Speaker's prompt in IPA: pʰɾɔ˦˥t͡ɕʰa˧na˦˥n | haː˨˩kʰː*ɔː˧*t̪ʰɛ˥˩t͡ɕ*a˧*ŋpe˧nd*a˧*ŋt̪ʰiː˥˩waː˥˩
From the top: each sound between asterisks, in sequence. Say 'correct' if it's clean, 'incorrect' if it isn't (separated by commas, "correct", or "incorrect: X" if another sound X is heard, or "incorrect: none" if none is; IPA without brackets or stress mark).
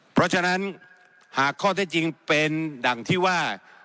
incorrect: ɔː˥˩, incorrect: i˧, incorrect: a˨˩